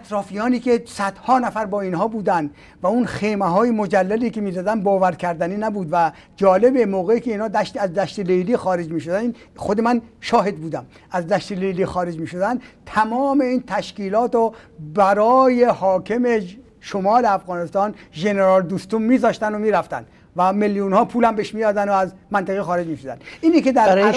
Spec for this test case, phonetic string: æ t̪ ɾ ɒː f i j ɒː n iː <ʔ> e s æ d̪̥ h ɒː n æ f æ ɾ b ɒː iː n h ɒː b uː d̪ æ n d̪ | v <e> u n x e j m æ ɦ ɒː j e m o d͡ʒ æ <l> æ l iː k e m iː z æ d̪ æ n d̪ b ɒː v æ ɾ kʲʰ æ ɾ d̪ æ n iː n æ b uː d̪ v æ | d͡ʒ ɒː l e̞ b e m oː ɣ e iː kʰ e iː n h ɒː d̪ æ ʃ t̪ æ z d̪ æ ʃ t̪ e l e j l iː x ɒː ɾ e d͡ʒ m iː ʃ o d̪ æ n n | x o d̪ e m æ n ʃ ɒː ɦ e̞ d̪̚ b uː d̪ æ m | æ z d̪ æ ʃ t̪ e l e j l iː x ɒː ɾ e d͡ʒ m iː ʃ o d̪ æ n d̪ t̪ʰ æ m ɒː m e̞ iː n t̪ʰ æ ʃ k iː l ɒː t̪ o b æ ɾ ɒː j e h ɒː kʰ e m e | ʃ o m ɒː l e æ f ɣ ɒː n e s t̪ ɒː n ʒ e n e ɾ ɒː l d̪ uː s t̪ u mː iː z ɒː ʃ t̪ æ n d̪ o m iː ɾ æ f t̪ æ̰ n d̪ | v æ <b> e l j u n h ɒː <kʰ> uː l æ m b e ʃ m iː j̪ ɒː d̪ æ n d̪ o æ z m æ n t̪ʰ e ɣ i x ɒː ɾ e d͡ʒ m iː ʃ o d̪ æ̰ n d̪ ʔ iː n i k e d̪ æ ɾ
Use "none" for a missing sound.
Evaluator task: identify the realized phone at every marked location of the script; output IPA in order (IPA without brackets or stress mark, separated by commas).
k, æ, lː, m, pʰ